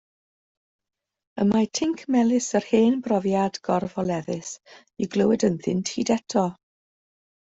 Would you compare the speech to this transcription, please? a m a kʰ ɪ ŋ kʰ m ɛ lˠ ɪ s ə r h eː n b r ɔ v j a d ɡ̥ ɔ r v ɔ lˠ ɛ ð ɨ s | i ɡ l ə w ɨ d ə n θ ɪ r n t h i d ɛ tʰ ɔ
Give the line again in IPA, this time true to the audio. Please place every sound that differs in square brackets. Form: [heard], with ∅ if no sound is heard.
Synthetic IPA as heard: [ə] m a [tʰ] ɪ ŋ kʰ m ɛ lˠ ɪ s ə r h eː n b r ɔ v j a d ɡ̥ ɔ r v ɔ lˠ ɛ ð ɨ s | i ɡ l ə w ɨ d ə n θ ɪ [∅] n t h i d ɛ tʰ ɔ